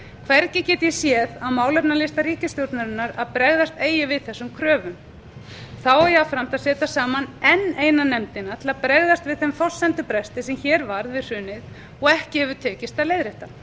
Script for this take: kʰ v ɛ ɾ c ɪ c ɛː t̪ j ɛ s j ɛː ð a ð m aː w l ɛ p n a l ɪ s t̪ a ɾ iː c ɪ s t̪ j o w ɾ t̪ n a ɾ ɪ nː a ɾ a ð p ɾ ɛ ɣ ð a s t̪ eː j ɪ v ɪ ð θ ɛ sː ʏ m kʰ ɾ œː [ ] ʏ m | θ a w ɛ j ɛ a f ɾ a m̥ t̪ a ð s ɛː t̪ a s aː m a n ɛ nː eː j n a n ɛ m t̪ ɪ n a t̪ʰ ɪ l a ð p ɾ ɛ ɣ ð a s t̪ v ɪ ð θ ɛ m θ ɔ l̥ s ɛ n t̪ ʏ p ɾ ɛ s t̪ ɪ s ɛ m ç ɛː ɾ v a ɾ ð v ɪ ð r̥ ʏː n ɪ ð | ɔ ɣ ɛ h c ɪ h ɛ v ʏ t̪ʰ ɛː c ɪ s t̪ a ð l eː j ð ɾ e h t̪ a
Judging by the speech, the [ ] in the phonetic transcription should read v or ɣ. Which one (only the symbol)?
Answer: v